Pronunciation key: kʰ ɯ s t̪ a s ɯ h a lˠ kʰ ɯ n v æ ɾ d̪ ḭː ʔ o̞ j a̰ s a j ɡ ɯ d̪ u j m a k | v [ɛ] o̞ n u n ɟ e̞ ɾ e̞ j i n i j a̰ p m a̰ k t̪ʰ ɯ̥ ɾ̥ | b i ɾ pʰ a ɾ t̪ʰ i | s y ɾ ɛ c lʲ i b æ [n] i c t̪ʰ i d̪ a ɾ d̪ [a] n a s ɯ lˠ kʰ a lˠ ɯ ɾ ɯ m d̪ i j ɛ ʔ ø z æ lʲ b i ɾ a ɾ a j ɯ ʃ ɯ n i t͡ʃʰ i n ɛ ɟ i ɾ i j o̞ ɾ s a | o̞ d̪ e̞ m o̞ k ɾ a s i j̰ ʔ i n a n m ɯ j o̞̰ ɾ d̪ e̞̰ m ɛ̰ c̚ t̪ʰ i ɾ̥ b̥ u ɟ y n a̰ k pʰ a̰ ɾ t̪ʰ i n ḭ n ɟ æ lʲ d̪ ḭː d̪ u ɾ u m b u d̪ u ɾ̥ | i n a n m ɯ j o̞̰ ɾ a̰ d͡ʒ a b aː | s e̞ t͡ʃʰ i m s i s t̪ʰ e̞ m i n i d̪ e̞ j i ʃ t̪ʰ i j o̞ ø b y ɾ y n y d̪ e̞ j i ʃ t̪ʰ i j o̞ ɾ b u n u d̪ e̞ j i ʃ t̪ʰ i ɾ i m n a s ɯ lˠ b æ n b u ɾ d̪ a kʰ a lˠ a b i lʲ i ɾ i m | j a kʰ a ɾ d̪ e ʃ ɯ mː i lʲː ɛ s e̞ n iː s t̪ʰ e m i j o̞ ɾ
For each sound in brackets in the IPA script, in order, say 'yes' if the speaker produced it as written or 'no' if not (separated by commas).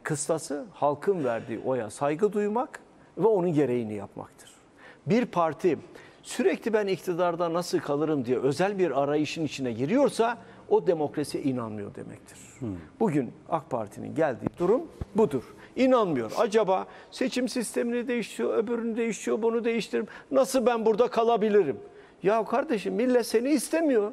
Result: yes, yes, yes